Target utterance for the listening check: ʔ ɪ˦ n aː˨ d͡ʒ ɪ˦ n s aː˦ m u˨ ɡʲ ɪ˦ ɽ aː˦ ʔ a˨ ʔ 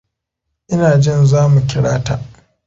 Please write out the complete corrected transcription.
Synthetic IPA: ʔ ɪ˦ n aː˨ d͡ʒ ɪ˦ n z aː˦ m u˨ kʲ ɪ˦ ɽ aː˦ t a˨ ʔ

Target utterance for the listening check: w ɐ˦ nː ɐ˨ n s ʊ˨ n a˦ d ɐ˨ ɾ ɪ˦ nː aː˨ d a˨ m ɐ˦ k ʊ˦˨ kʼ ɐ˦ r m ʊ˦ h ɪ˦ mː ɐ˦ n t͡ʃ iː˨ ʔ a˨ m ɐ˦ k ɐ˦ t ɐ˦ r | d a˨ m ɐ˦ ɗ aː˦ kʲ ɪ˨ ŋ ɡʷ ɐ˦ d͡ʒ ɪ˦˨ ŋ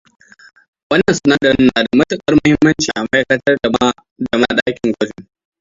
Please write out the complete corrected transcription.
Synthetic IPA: w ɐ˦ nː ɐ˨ n s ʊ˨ n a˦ d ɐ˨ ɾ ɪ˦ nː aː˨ d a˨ m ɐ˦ t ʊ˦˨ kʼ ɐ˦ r m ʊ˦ h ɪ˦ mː ɐ˦ n t͡ʃ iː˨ ʔ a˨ m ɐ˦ k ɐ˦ t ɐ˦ r | d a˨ m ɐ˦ ɗ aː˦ kʲ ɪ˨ ŋ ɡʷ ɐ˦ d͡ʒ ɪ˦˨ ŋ

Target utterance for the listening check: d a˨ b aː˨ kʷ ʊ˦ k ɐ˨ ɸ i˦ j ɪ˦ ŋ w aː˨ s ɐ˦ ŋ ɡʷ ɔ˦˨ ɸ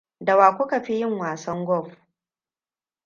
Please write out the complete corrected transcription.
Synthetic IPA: d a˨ w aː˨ kʷ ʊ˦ k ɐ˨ ɸ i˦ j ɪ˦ ŋ w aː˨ s ɐ˦ ŋ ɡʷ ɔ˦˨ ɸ

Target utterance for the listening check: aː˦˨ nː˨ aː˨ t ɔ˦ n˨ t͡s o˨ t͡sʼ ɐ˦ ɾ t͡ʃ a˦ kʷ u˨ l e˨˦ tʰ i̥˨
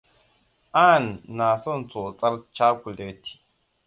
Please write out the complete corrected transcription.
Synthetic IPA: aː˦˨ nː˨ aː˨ s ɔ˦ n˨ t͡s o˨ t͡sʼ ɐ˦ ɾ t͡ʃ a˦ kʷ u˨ l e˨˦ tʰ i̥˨

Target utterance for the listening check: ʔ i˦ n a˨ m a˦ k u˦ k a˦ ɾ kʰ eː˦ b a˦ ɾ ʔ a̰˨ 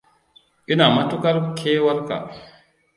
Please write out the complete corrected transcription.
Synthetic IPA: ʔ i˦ n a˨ m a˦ t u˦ k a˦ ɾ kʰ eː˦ w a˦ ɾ k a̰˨

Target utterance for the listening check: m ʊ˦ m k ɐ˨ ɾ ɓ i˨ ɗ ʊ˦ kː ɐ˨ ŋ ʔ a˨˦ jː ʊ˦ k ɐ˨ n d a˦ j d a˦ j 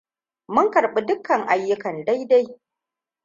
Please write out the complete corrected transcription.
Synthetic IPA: m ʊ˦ ŋ k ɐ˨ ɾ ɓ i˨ d ʊ˦ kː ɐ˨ ŋ ʔ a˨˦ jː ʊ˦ k ɐ˨ n d a˦ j d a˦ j

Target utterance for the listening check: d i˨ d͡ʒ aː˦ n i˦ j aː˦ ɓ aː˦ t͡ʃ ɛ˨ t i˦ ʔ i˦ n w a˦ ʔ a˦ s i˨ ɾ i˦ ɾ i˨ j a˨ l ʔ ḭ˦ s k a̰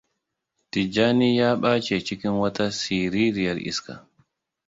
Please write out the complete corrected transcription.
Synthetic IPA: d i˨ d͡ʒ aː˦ n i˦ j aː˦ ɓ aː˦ t͡ʃ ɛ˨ t͡ʃ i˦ k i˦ n w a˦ t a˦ s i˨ ɾ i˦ ɾ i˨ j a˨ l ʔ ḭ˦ s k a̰

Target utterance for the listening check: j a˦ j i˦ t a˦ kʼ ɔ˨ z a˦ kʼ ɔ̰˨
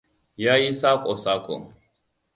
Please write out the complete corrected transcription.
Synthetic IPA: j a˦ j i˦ s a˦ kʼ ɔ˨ s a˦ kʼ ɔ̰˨

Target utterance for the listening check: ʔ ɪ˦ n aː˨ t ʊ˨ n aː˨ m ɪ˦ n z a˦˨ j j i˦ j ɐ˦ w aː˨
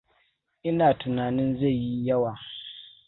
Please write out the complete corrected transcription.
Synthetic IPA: ʔ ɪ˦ n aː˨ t ʊ˨ n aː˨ n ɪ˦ n z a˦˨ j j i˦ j ɐ˦ w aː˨

